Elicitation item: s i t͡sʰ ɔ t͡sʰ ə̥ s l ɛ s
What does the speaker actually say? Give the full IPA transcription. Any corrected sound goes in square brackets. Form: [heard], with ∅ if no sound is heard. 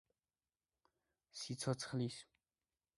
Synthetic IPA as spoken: s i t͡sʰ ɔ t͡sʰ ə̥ [χ] l [i] s